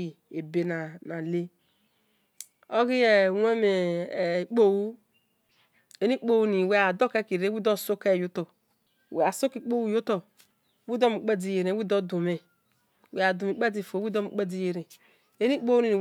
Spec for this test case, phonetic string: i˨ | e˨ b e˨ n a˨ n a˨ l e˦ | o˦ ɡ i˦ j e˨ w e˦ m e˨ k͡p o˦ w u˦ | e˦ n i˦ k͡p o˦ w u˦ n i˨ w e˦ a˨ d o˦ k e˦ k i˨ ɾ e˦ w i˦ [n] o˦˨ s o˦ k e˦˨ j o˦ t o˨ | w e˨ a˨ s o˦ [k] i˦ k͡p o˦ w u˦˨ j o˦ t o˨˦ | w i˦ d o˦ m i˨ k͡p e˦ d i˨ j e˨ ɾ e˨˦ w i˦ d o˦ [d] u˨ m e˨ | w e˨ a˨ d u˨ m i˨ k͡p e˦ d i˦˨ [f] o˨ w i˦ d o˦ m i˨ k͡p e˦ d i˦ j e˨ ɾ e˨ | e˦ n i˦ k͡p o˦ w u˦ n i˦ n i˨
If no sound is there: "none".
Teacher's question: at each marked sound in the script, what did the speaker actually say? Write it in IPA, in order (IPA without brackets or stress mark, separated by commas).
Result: d, k, d, f